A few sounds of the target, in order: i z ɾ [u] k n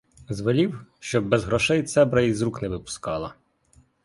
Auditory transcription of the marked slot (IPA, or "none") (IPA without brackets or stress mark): u